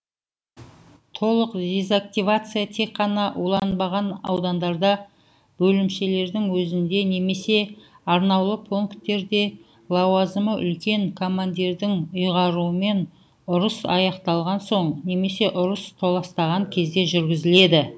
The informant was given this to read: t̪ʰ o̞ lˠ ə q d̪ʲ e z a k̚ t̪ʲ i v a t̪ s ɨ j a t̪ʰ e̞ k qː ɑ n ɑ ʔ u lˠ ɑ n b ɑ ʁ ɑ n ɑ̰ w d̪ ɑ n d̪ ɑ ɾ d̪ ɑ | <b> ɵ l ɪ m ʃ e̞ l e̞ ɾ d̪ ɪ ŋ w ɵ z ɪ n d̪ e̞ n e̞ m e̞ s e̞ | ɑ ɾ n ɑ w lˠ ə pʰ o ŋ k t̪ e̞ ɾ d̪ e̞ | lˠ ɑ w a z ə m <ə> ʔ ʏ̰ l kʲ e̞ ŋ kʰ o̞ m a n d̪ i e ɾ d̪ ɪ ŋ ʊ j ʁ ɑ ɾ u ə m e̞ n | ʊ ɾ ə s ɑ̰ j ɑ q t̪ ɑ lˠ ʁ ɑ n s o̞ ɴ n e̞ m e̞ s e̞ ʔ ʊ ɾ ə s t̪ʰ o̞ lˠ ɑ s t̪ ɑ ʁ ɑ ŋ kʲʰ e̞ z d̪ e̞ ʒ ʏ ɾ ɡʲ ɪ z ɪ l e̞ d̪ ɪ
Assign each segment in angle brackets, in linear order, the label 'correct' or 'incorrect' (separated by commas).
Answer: correct, correct